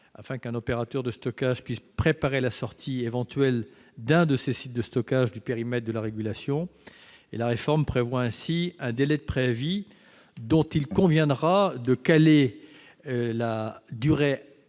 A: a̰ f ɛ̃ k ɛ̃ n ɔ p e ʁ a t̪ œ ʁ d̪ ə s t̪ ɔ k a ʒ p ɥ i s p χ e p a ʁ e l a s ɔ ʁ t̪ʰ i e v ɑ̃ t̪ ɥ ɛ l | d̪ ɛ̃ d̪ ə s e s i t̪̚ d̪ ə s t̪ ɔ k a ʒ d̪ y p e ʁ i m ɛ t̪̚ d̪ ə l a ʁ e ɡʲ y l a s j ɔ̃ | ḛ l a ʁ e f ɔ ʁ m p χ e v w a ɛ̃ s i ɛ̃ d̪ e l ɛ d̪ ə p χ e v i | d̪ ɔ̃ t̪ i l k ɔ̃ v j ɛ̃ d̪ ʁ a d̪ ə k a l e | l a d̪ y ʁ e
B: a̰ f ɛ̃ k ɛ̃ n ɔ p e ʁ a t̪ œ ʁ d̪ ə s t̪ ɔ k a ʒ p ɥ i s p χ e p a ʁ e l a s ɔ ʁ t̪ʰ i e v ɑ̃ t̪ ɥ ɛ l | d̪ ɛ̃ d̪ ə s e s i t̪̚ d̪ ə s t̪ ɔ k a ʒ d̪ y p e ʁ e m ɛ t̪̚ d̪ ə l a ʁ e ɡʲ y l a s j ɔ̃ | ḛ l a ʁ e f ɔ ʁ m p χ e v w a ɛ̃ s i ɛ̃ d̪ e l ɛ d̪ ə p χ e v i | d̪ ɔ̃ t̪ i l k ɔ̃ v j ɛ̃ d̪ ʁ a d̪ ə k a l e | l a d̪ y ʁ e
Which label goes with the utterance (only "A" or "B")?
A